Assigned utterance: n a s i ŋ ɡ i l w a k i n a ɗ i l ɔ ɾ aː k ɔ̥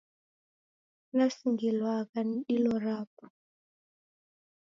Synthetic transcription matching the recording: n a s i ŋ ɡ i l w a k a n i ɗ i l ɔ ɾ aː p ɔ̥